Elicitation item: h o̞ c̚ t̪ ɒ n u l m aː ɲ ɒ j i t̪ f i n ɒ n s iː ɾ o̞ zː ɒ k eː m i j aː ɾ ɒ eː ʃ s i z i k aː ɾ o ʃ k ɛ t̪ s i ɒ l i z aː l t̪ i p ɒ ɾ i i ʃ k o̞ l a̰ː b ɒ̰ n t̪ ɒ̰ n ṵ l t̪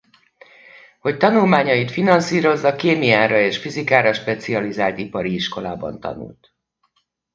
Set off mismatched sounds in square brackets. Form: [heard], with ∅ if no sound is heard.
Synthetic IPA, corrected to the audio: h o̞ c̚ t̪ ɒ n u l m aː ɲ ɒ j i t̪ f i n ɒ n s iː ɾ o̞ zː ɒ k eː m i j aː ɾ ɒ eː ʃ [f] i z i k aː ɾ [ɒ] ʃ [p] ɛ t̪ s i ɒ l i z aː l t̪ i p ɒ ɾ i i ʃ k o̞ l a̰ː b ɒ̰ n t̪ ɒ̰ n ṵ l t̪